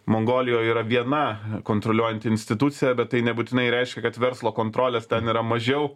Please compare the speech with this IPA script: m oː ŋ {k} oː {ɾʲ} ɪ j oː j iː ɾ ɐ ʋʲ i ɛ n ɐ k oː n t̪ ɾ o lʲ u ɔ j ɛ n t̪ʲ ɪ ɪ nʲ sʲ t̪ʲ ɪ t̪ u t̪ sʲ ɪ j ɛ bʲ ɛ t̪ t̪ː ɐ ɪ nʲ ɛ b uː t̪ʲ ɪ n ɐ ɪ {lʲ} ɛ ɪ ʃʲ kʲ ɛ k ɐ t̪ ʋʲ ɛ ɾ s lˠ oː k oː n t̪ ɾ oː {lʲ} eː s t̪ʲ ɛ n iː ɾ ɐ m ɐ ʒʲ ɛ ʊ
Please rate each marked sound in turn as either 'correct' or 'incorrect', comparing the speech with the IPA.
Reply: incorrect: ɡ, incorrect: lʲ, incorrect: ɾʲ, correct

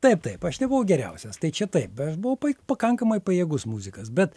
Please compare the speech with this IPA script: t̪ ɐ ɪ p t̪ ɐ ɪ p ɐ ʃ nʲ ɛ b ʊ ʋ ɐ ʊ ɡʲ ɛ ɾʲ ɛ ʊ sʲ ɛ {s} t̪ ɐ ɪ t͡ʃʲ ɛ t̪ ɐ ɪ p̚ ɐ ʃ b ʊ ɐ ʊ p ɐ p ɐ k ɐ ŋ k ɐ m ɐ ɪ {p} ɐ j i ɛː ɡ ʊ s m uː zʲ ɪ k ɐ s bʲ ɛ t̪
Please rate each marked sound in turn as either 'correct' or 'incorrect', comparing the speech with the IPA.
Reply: correct, correct

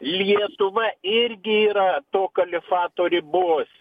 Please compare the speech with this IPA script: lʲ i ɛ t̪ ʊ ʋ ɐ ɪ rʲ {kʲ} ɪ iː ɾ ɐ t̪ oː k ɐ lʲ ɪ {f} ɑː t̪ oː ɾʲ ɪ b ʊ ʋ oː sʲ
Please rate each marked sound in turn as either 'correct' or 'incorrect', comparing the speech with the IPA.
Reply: incorrect: ɡʲ, correct

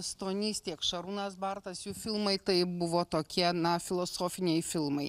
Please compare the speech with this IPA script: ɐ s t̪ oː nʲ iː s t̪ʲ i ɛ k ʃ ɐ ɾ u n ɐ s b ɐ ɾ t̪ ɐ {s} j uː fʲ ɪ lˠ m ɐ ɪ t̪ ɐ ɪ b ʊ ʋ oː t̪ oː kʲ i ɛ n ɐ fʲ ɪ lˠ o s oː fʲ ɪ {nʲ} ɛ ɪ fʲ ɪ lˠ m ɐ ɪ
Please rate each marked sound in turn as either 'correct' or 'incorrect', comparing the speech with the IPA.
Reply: correct, correct

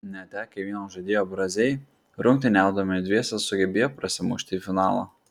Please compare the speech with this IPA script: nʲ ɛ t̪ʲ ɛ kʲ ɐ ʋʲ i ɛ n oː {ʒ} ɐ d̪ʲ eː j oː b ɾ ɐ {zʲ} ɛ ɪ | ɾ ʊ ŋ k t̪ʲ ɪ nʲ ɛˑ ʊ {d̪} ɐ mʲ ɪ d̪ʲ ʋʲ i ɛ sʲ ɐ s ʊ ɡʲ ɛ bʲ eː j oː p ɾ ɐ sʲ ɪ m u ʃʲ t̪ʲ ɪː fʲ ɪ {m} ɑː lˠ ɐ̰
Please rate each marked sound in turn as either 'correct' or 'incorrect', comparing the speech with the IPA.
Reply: correct, correct, correct, incorrect: n

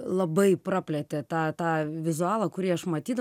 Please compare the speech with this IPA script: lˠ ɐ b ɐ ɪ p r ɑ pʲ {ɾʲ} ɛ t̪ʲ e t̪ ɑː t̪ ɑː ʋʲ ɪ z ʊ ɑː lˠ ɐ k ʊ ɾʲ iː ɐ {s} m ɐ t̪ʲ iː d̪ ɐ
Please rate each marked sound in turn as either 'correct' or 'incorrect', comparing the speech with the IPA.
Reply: incorrect: lʲ, incorrect: ʃ

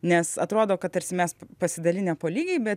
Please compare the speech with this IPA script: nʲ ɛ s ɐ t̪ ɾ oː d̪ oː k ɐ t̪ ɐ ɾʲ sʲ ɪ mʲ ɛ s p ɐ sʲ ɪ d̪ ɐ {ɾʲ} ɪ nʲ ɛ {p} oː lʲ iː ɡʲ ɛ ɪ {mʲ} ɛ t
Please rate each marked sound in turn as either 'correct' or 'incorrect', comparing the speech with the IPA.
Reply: incorrect: lʲ, correct, incorrect: bʲ

